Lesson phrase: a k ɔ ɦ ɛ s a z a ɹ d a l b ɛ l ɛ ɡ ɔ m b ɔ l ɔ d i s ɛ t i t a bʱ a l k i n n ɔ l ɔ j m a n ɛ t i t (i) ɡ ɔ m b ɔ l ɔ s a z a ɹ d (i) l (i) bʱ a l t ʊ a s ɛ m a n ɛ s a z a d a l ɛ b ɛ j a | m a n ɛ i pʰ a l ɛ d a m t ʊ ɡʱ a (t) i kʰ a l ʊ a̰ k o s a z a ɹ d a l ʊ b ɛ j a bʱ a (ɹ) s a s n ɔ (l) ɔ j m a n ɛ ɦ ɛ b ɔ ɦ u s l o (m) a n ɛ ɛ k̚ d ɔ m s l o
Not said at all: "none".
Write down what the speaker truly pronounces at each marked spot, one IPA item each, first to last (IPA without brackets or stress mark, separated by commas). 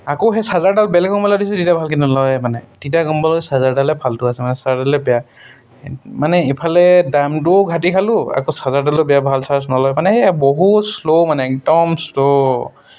a, a, ɛ, t, l, l, m